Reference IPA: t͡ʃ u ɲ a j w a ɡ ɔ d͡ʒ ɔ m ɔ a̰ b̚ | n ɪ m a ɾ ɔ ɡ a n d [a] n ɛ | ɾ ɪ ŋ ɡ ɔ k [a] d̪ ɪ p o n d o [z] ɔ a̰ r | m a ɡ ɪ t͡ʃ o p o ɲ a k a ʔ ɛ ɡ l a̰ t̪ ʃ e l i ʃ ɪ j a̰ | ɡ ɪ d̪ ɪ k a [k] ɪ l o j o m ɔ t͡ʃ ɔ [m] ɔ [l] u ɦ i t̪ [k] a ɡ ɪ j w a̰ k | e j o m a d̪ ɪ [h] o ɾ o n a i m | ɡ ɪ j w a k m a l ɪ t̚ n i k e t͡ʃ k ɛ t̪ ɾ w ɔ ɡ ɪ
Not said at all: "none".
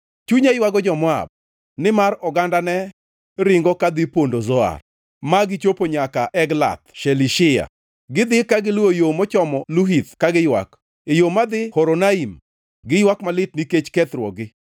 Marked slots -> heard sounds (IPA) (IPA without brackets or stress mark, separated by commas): a, a, z, ɡ, m, l, k, h